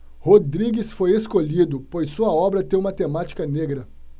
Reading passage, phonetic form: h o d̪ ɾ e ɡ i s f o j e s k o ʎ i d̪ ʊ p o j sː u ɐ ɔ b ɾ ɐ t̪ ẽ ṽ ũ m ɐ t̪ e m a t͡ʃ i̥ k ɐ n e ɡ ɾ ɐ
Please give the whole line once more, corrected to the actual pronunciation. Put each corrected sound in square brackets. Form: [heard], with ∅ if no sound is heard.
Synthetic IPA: h o d̪ ɾ [i] ɡ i s f o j e s k o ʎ i d̪ ʊ p o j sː u ɐ ɔ b ɾ ɐ t̪ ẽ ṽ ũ m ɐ t̪ e m a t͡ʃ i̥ k ɐ n e ɡ ɾ ɐ